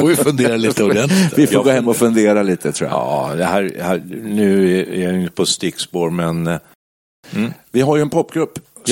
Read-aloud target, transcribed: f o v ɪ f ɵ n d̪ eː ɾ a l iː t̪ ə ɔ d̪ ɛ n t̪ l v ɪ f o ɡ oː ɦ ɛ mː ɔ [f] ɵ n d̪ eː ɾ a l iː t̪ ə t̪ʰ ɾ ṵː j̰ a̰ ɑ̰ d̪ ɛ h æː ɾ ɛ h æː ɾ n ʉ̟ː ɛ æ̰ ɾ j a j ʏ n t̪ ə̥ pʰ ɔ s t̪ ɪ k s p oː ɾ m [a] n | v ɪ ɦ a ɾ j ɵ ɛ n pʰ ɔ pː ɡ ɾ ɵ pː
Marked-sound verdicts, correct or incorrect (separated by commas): correct, incorrect